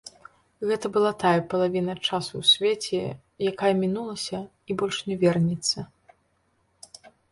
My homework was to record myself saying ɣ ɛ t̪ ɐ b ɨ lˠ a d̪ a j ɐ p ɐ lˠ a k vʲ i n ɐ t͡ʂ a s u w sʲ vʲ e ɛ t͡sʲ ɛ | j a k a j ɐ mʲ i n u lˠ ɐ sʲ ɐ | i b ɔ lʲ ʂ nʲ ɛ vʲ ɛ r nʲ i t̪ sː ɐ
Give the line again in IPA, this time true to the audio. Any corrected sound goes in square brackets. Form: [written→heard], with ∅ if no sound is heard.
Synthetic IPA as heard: ɣ ɛ t̪ ɐ b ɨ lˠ a [d̪→t̪] a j ɐ p ɐ lˠ a [k→∅] vʲ i n ɐ t͡ʂ a s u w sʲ vʲ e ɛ t͡sʲ ɛ | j a k a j ɐ mʲ i n u lˠ ɐ sʲ ɐ | i b ɔ lʲ ʂ nʲ ɛ vʲ ɛ r nʲ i t̪ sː ɐ